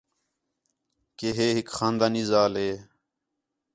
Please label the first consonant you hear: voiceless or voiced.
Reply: voiceless